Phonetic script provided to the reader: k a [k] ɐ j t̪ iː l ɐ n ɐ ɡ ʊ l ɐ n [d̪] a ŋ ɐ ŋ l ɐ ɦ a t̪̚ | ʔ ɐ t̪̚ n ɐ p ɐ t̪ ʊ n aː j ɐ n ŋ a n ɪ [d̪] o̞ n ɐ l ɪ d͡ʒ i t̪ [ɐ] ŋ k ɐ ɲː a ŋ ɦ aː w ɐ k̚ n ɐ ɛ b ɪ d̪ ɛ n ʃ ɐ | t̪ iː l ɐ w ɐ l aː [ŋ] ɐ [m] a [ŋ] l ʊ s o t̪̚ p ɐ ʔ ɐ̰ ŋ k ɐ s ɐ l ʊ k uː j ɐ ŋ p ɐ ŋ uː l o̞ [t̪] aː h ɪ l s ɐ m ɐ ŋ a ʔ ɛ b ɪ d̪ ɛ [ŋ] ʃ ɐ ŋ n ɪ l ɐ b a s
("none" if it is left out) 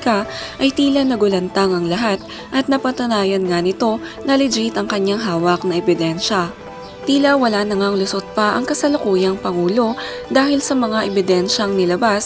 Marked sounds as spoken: ʔ, t̪, t̪, ɐ, n, ŋ, ŋ, d̪, n

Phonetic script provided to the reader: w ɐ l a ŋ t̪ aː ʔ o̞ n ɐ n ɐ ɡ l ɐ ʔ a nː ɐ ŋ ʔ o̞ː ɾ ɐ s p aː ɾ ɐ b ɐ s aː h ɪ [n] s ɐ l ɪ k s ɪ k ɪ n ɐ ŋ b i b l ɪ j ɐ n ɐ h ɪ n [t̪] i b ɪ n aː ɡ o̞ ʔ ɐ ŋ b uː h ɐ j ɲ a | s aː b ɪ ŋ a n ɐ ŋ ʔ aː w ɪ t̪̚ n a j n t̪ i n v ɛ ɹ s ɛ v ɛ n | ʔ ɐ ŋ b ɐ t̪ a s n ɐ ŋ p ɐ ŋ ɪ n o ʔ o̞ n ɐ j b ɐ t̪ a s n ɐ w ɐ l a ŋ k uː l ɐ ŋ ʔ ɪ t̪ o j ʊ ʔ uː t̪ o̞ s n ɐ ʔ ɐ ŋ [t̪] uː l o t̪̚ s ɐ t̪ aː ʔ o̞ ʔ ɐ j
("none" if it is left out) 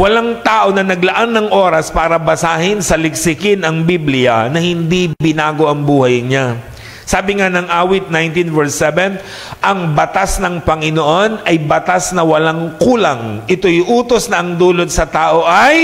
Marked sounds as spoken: n, d̪, d̪

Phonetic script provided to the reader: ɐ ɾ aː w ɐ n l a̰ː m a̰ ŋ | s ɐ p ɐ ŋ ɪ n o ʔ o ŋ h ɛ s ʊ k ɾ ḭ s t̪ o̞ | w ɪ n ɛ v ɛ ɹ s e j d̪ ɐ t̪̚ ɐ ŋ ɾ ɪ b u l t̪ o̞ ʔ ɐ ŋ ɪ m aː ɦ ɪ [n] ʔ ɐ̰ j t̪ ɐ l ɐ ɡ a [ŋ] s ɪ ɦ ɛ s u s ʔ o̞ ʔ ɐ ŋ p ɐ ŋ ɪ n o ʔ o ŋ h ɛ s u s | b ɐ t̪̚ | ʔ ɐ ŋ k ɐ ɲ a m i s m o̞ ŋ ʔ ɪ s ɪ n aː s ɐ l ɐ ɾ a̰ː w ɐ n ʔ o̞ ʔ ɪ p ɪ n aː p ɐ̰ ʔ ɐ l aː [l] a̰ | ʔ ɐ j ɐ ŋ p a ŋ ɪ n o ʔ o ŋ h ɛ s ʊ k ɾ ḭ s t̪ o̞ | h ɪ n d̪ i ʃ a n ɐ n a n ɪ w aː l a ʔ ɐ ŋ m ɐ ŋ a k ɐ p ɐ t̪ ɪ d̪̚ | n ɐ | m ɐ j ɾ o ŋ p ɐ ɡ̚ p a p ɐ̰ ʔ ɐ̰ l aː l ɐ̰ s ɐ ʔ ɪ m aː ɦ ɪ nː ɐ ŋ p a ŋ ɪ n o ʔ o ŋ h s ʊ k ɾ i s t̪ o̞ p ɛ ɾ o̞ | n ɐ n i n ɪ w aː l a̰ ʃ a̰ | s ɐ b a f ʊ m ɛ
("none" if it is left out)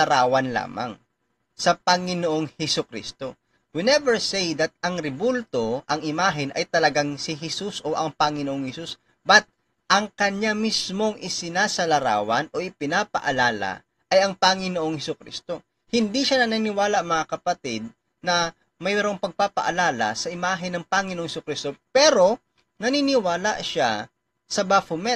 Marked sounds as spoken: n, ŋ, l

